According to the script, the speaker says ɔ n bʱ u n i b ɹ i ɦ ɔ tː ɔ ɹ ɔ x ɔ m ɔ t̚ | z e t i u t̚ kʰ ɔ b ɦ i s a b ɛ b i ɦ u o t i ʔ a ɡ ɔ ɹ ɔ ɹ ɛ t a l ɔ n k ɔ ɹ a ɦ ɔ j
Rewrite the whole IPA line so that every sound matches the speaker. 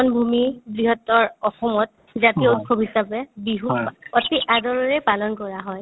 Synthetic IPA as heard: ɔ n bʱ u m i b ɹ i ɦ ɔ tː ɔ ɹ ɔ x ɔ m ɔ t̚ | z a t i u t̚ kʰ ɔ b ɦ i s a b ɛ b i ɦ u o t i ʔ a d ɔ ɹ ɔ ɹ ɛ p a l ɔ n k ɔ ɹ a ɦ ɔ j